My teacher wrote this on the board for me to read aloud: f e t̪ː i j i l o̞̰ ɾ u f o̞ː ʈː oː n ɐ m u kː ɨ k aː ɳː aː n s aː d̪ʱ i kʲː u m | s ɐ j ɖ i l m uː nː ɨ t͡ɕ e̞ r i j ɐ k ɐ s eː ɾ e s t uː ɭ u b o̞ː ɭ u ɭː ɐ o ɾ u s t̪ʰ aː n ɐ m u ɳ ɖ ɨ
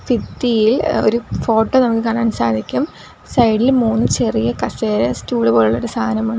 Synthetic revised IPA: f i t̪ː i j i l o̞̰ ɾ u f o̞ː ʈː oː n ɐ m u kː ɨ k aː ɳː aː n s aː d̪ʱ i kʲː u m | s ɐ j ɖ i l m uː nː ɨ t͡ɕ e̞ r i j ɐ k ɐ s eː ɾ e s t uː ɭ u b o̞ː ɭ u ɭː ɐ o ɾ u s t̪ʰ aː n ɐ m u ɳ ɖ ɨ